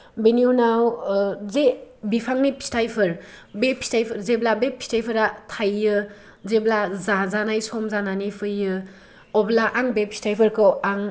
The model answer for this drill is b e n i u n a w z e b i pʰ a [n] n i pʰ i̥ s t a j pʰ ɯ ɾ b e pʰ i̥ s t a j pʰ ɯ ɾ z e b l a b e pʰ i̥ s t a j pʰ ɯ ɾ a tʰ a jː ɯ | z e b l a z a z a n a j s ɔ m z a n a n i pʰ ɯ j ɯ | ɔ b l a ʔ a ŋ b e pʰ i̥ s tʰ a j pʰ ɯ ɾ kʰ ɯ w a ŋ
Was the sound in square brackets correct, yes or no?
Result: no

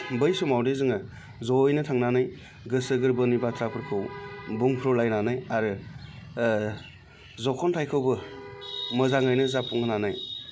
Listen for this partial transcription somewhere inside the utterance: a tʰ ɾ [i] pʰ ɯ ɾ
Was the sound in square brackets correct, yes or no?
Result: no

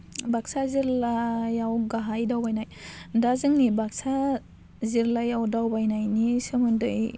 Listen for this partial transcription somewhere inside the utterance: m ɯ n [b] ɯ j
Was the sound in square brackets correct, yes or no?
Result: no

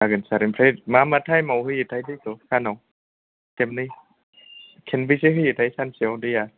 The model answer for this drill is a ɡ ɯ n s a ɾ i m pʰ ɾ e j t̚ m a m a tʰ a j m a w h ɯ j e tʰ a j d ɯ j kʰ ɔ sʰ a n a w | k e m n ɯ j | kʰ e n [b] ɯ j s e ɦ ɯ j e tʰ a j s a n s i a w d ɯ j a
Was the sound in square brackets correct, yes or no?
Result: yes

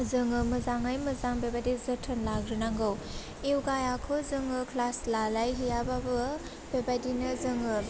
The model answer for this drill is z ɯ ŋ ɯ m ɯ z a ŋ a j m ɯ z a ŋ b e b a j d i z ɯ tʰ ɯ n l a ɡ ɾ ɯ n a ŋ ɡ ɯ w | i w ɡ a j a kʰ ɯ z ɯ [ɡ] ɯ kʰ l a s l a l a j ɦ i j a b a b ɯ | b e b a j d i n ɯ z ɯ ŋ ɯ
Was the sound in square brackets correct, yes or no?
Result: no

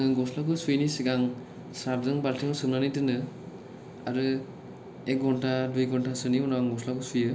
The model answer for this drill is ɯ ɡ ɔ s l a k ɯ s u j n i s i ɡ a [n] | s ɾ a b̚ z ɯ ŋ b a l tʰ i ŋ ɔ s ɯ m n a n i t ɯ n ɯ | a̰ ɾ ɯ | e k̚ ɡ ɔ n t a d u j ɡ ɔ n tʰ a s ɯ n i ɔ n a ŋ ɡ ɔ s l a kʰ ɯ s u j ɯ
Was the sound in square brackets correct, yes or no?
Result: no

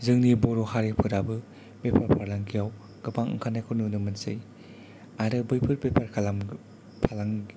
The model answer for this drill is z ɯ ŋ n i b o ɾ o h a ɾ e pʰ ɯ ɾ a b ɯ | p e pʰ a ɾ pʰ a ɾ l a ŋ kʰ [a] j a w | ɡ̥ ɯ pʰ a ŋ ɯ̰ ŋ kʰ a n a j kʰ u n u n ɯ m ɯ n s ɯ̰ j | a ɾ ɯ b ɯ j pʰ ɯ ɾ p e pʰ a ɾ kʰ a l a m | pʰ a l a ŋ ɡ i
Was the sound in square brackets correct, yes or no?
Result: no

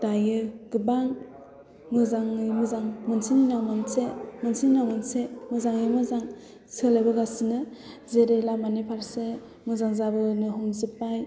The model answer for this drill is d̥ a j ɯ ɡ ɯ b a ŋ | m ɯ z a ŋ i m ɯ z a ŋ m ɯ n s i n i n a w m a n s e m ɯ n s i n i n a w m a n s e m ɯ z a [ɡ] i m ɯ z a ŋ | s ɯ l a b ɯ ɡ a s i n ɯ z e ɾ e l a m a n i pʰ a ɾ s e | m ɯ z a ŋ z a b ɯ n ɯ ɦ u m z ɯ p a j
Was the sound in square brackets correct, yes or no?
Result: no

